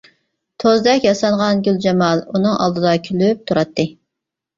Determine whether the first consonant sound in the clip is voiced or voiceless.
voiceless